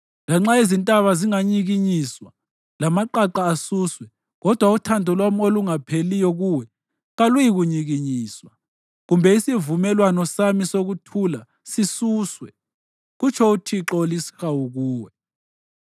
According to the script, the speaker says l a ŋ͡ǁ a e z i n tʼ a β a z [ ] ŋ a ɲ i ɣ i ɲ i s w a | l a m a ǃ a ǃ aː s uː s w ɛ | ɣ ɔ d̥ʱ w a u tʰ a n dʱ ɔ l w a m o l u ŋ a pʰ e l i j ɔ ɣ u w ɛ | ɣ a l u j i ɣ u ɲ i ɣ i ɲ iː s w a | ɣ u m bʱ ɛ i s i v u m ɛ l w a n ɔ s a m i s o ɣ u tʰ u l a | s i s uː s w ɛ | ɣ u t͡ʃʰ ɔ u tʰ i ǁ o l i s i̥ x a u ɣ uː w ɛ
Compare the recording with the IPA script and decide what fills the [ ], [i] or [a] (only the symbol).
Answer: i